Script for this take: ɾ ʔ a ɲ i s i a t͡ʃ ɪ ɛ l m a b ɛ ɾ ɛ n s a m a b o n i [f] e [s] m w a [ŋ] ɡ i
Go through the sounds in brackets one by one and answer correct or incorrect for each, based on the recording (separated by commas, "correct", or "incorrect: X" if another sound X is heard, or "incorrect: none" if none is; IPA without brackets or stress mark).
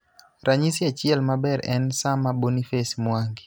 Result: correct, correct, correct